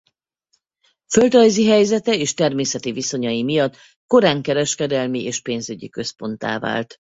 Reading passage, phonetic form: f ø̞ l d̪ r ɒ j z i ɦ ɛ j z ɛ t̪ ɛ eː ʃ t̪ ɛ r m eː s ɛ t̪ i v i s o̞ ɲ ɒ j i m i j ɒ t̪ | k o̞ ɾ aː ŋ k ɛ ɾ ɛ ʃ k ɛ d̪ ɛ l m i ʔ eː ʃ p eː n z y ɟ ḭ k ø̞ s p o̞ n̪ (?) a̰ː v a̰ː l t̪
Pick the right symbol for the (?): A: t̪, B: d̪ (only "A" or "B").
A